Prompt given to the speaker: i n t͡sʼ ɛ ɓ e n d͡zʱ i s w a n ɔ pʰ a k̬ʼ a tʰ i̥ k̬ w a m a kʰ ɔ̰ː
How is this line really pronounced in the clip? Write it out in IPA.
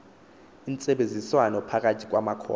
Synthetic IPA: i n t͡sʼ ɛ ɓ e n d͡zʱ i s w a n ɔ pʰ a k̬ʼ a tʰ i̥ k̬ w a m a kʰ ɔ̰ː